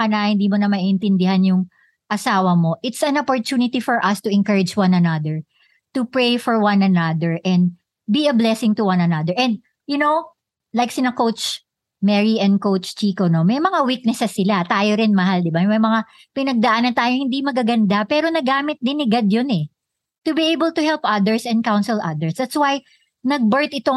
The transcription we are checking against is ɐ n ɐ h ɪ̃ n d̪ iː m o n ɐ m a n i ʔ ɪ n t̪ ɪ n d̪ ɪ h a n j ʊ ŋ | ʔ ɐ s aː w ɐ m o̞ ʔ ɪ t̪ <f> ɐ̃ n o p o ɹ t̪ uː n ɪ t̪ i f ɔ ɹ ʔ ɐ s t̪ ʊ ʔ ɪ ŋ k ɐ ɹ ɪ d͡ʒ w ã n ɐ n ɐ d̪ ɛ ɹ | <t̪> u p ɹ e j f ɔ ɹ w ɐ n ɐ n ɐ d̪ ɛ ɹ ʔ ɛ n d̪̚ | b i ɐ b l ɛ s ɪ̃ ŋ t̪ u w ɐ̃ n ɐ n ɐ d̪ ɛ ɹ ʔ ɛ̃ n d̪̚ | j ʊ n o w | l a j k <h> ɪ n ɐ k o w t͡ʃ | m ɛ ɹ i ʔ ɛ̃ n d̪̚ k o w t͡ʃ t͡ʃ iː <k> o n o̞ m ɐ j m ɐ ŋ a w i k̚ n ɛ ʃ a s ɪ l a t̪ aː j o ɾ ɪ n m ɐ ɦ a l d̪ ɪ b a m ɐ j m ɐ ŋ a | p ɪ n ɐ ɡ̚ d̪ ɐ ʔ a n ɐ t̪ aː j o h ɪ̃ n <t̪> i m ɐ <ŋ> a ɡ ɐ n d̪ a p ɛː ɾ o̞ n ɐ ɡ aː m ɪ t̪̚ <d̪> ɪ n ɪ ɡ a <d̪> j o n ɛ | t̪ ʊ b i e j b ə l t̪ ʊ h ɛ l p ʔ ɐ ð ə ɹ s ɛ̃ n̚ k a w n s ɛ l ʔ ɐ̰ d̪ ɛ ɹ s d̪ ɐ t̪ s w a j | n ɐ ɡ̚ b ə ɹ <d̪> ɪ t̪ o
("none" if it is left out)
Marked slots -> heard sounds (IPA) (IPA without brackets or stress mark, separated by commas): s, t̪, s, k, d̪, ɡ, d̪, d̪, t̪